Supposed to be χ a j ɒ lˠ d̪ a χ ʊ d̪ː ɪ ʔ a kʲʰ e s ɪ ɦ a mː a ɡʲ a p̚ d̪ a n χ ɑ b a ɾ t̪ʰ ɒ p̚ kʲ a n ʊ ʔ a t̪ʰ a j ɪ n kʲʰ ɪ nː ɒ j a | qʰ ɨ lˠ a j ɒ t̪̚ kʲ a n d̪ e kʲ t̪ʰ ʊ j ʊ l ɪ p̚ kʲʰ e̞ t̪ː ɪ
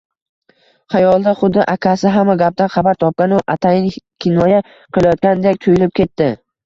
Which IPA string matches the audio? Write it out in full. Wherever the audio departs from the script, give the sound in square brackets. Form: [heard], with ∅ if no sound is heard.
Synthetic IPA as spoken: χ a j ɒ lˠ d̪ a χ ʊ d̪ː ɪ ʔ a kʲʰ [a] s ɪ ɦ a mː a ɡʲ a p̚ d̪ a n χ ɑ b a ɾ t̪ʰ ɒ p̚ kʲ a n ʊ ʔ a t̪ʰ a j ɪ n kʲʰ ɪ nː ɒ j a | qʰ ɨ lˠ a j ɒ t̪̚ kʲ a n d̪ e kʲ t̪ʰ ʊ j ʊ l ɪ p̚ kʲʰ e̞ t̪ː ɪ